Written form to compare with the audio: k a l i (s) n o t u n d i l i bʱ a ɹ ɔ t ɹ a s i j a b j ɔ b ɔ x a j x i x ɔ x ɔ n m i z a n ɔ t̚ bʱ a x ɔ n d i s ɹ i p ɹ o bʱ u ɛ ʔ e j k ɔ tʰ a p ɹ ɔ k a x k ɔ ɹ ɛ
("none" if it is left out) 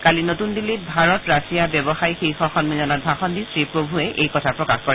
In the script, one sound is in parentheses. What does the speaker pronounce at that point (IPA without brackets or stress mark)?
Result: none